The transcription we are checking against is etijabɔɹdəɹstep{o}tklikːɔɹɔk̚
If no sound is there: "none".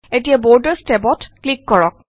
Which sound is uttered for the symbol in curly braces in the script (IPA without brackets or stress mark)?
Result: ɔ